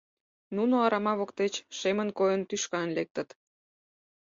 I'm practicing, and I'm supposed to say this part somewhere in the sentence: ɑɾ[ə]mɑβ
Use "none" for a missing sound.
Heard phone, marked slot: ɑ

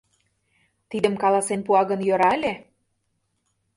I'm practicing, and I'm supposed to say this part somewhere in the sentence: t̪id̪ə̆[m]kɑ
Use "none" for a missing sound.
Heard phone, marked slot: m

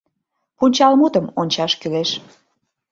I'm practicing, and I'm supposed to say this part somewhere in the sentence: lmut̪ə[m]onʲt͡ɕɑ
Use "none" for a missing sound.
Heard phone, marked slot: m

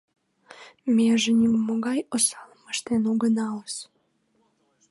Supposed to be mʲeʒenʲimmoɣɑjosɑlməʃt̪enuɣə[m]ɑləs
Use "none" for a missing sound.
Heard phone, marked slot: n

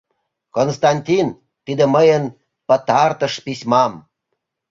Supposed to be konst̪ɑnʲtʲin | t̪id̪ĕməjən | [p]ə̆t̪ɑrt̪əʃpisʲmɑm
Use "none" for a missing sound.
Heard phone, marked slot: p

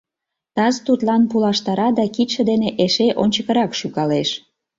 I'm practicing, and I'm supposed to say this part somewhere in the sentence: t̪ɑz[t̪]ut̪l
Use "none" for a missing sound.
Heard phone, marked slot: t̪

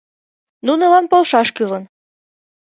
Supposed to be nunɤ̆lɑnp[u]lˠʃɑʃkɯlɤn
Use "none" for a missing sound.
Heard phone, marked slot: o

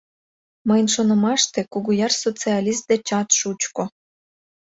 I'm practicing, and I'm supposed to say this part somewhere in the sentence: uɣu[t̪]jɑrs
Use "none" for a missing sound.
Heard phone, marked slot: none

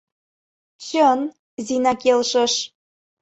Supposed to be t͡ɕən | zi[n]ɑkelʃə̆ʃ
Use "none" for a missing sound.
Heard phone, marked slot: n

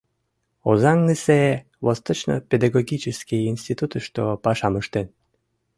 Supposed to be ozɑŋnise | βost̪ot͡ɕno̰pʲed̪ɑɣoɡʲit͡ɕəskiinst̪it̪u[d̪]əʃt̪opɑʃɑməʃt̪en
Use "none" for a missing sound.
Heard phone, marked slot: t̪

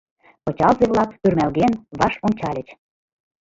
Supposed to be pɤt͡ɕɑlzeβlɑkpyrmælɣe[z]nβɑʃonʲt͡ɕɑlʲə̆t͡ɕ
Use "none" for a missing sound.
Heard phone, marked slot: none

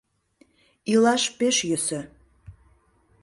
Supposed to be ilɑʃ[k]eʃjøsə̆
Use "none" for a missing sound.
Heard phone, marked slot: p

